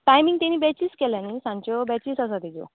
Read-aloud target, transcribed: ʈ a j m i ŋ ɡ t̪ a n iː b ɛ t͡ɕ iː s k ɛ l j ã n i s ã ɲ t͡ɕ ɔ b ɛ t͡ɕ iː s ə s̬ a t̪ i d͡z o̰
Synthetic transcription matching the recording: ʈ a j m i ŋ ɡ t̪ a n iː b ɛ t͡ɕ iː s k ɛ l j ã n i s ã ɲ t͡ɕ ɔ b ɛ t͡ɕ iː s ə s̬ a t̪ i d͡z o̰